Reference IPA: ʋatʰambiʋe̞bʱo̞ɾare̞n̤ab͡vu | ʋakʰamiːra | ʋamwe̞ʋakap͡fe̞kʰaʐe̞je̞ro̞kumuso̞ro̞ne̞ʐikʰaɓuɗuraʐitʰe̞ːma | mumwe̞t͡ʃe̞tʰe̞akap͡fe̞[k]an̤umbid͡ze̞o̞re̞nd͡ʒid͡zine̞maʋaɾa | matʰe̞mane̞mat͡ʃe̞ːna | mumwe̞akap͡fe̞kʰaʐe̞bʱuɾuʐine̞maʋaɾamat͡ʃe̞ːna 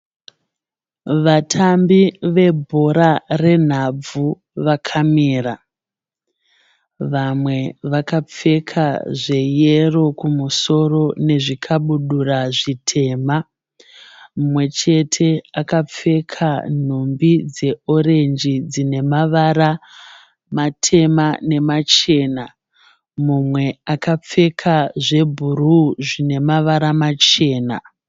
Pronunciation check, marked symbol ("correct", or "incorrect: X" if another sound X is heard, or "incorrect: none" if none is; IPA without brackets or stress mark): incorrect: kʰ